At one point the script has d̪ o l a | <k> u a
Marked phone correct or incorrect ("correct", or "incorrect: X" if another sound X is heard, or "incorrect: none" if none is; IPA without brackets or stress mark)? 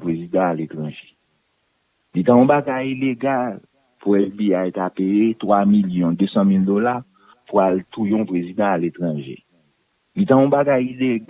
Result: incorrect: p